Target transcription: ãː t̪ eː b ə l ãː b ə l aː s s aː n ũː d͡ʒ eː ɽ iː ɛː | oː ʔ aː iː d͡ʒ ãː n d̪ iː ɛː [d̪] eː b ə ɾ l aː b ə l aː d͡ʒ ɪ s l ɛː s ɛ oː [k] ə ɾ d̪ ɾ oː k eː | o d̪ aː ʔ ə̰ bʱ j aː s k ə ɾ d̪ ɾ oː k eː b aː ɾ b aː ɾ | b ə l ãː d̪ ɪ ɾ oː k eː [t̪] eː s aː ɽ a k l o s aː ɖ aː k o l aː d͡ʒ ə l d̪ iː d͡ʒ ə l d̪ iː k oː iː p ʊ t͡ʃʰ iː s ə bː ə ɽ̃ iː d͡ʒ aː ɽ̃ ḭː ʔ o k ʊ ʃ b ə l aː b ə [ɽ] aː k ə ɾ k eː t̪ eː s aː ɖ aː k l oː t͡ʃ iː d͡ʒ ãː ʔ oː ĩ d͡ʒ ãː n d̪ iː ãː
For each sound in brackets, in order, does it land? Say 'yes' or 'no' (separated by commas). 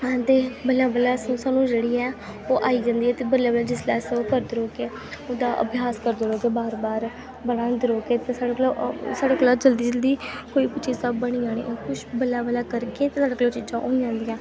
no, yes, yes, no